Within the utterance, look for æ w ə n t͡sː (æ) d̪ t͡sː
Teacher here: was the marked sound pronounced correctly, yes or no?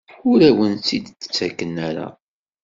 no